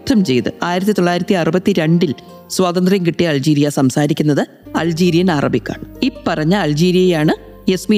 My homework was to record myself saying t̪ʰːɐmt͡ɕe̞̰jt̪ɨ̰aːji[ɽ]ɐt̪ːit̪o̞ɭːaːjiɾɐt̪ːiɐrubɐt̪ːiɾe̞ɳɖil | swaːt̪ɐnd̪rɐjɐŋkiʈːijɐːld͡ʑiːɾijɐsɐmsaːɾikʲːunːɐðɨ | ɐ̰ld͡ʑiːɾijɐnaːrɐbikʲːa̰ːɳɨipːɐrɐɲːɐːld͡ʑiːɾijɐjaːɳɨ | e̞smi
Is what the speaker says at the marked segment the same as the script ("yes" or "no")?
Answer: no